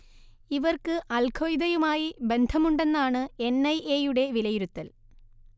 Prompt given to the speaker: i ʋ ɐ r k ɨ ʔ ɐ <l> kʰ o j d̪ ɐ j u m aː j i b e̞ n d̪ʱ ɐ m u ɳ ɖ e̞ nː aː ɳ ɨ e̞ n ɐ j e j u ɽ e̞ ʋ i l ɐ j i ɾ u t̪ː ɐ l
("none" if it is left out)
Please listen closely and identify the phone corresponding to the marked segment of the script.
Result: l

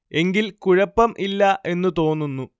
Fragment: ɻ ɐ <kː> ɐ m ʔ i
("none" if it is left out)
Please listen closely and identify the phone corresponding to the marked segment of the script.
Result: pː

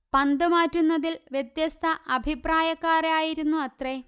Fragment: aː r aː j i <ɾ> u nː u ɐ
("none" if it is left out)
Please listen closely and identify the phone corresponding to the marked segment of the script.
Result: ɾ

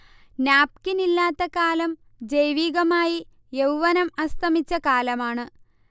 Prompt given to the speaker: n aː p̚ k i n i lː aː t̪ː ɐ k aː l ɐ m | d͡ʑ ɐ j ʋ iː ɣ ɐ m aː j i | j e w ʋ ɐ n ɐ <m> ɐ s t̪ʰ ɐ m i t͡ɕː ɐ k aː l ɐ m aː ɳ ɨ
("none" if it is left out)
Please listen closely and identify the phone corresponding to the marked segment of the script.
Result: m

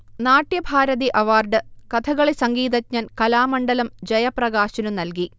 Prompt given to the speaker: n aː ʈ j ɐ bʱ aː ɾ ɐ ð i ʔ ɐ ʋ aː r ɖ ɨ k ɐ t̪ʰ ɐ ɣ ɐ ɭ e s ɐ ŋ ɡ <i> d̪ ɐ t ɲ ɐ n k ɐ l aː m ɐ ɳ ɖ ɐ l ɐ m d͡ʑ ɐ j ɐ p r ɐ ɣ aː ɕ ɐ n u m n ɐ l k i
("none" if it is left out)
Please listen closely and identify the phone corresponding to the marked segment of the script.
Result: iː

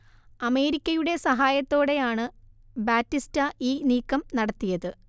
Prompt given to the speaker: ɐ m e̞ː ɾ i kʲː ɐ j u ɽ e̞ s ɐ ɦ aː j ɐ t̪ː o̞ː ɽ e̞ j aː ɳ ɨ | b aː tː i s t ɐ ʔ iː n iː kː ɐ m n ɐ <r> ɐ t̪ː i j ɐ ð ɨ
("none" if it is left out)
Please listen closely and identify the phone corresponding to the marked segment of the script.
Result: ɽ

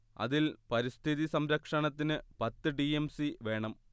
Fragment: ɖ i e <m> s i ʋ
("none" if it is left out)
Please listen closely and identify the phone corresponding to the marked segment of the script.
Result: m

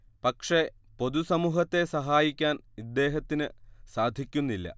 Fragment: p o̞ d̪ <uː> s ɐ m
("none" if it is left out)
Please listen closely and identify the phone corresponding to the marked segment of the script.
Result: u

